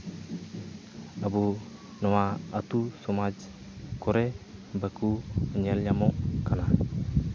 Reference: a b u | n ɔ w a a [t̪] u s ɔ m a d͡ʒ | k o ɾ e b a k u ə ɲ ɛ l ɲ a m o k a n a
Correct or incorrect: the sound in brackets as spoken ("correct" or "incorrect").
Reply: correct